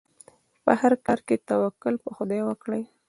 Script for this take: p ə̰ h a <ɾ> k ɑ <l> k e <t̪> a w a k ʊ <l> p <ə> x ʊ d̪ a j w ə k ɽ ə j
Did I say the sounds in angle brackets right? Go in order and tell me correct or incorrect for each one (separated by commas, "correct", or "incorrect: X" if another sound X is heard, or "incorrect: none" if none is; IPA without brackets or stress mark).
correct, incorrect: ɾ, correct, correct, correct